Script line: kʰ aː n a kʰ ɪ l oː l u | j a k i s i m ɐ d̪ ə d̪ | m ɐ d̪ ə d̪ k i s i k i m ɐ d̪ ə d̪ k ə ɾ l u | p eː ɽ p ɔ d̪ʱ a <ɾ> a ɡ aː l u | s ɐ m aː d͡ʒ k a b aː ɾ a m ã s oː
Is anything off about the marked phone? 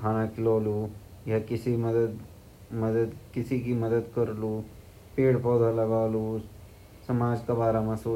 yes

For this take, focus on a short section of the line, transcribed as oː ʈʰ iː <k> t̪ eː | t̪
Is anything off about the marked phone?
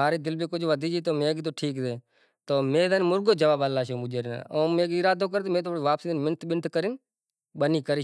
no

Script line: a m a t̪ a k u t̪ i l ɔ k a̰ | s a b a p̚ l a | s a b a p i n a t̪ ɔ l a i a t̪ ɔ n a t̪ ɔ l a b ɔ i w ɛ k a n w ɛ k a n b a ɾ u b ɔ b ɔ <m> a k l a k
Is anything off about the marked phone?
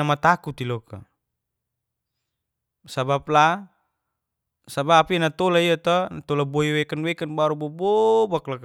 yes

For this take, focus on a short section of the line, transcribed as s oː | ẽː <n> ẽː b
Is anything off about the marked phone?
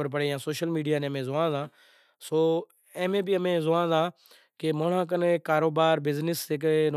yes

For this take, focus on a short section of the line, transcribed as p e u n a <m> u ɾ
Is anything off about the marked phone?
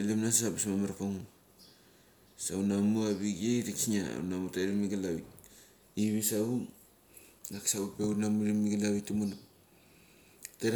no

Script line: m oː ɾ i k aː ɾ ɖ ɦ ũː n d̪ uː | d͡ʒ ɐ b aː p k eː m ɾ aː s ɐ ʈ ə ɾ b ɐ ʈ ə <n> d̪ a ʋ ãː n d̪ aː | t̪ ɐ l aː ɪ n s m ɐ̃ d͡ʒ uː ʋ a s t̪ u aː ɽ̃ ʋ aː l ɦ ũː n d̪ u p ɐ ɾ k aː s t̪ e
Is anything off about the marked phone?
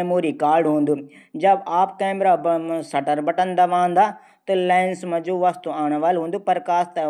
no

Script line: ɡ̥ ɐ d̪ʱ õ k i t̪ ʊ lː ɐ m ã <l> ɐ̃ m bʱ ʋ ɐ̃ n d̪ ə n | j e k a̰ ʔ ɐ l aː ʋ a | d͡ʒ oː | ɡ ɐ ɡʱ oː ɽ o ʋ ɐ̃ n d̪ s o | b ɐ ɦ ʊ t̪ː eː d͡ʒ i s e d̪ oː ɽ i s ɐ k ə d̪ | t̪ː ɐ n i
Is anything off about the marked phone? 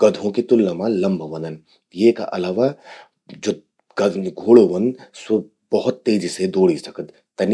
no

